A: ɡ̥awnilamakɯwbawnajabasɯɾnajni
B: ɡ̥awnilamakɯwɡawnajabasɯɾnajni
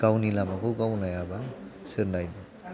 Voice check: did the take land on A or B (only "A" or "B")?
B